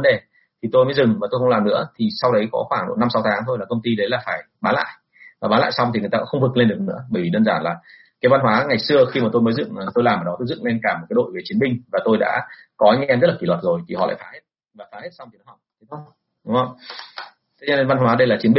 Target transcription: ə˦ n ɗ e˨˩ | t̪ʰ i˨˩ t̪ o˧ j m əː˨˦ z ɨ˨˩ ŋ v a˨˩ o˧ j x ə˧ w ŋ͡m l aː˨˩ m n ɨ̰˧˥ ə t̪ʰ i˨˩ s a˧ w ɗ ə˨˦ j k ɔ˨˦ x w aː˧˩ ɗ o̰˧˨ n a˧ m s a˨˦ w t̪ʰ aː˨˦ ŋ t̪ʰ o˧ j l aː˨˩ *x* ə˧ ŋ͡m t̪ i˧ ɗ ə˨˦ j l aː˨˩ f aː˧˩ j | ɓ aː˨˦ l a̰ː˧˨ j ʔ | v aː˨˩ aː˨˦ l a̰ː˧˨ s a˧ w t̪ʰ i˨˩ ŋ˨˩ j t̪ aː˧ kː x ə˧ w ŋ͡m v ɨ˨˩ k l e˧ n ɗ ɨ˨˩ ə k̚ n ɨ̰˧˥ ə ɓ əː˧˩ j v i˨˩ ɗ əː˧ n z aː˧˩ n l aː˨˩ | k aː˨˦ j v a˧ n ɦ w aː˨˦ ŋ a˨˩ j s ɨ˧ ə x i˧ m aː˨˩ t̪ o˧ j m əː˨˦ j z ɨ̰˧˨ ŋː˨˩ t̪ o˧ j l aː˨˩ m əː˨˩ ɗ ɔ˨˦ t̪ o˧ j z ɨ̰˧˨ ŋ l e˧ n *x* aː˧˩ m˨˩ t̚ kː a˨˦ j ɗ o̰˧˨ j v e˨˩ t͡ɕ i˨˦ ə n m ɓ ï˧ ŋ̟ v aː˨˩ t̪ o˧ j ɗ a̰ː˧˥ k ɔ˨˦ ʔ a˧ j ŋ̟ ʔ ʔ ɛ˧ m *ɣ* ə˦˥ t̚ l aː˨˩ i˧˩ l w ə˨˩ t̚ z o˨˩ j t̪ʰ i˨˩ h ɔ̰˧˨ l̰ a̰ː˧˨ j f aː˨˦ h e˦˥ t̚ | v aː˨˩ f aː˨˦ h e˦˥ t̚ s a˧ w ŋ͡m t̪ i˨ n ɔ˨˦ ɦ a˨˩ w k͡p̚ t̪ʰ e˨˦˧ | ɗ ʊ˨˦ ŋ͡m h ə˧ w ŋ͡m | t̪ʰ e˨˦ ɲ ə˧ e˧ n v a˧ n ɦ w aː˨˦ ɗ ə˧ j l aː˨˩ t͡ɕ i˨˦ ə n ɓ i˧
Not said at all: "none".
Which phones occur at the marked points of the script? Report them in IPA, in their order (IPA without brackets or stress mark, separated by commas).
k, k, z